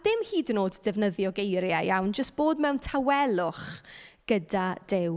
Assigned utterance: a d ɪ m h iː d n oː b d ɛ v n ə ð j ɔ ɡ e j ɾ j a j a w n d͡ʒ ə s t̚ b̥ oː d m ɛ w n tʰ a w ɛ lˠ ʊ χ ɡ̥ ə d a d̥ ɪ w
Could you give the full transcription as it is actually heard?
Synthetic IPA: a d ɪ m h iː d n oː d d ɛ v n ə ð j ɔ ɡ e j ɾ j a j a w n d͡ʒ ə s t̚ b̥ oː d m ɛ w n tʰ a w ɛ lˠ ʊ χ ɡ̥ ə d a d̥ ɪ w